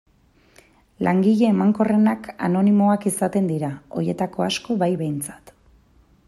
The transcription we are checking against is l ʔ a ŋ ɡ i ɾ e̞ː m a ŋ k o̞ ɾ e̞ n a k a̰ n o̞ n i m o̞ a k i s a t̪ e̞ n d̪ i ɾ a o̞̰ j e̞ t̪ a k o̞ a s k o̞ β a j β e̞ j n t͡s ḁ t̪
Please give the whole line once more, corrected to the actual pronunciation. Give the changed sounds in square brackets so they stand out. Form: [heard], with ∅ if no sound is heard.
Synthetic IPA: l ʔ a ŋ ɡ i [ʎ] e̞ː m a ŋ k o̞ [r] e̞ n a k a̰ n o̞ n i m o̞ a k i s a t̪ e̞ n d̪ i ɾ a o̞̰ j e̞ t̪ a k o̞ a s k o̞ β a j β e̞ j n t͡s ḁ t̪